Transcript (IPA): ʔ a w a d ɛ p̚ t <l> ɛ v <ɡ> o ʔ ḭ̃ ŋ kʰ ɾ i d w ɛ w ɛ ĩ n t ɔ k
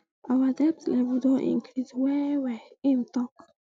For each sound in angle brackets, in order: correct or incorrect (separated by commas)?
correct, incorrect